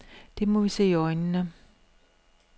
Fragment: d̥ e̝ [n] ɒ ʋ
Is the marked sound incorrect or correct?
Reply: incorrect